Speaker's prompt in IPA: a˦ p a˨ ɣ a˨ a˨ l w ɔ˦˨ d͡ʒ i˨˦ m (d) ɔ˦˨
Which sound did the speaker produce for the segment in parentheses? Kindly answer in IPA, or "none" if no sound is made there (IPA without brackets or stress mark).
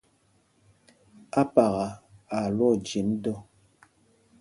d